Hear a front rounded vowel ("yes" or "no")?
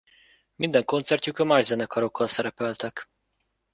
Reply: no